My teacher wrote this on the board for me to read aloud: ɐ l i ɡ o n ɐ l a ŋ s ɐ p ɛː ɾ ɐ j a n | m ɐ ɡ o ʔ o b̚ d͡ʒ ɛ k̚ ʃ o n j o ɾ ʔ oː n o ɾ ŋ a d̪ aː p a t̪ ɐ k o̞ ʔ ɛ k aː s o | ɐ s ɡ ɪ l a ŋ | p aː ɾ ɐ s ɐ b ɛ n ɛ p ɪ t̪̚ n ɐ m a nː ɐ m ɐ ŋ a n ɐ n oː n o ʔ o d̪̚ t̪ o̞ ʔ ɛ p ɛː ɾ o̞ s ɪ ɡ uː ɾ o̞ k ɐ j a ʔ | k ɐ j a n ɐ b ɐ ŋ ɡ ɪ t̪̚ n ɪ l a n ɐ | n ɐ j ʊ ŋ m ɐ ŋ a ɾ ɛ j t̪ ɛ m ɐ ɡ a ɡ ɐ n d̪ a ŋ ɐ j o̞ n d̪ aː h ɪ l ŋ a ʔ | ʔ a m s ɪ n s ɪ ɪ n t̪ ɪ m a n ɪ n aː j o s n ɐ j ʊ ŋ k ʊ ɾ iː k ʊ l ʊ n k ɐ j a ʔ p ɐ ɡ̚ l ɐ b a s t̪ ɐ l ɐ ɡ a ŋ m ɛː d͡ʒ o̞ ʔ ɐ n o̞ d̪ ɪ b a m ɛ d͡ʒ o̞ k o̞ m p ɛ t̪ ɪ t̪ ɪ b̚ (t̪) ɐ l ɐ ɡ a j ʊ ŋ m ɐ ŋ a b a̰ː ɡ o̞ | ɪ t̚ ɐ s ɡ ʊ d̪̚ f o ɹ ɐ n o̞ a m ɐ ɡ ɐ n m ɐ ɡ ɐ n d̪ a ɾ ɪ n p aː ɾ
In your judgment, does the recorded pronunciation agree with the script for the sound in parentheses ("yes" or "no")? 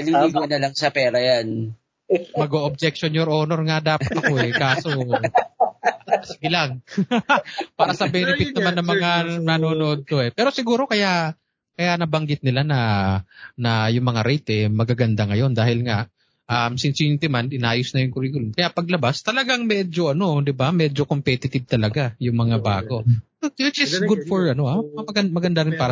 yes